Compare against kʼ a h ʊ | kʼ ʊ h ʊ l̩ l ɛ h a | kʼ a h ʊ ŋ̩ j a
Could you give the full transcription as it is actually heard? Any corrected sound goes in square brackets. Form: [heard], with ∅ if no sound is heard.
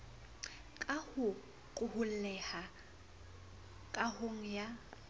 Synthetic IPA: kʼ a h ʊ | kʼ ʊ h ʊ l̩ l ɛ h a | kʼ a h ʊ ŋ̩ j a

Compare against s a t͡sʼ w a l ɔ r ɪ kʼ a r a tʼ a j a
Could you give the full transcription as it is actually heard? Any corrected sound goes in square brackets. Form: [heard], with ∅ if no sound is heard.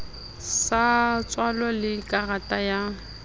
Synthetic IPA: s a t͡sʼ w a l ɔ [l] ɪ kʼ a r a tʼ a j a

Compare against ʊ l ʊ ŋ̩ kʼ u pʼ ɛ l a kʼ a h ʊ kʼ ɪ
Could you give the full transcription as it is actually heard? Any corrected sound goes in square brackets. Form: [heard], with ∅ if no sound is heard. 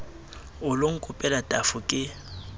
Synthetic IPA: ʊ l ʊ ŋ̩ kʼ [ʊ] pʼ ɛ l a [tʼ] a [f] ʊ kʼ ɪ

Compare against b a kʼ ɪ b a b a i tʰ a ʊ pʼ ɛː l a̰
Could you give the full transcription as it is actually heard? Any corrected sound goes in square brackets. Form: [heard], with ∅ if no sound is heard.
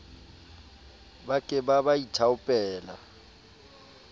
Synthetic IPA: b a kʼ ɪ b a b a i tʰ a ʊ pʼ ɛː l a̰

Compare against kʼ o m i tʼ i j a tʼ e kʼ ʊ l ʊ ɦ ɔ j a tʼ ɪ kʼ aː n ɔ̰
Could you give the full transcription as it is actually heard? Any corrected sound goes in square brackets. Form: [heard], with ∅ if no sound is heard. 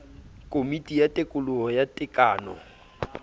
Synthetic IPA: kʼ o m i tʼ i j a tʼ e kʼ ʊ l ʊ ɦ ɔ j a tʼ ɪ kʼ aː n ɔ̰

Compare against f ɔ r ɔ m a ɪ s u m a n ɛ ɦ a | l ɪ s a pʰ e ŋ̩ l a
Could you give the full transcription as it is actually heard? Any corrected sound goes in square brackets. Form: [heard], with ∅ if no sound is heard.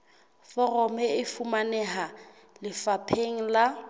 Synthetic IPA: f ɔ r ɔ m [ɛ] ɪ [f] u m a n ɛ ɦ a | l ɪ [f] a pʰ e ŋ̩ l a

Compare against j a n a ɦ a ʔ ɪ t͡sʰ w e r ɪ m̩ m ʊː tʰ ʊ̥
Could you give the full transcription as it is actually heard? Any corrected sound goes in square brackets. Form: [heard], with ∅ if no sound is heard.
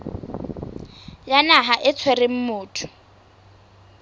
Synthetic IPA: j a n a ɦ a ʔ ɪ t͡sʰ w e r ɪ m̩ m ʊː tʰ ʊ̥

